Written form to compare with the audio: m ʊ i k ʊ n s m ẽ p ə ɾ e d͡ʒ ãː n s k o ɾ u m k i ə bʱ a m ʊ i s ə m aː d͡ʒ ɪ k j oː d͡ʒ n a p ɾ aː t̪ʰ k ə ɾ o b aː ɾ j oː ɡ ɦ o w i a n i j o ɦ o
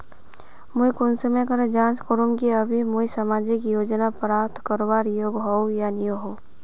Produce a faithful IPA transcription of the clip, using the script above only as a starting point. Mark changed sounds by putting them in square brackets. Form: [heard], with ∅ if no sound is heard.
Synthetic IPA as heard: m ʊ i k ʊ n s m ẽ [k] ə ɾ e d͡ʒ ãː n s k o ɾ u m k i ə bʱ [i] m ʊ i s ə m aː d͡ʒ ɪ k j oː d͡ʒ n a p ɾ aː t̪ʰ k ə ɾ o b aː ɾ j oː ɡ ɦ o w [j] a n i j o ɦ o